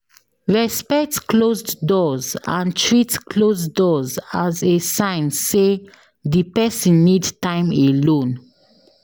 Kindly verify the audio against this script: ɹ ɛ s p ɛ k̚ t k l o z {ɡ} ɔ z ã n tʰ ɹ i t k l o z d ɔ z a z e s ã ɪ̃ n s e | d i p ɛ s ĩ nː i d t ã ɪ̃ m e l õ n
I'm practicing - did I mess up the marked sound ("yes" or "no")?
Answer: yes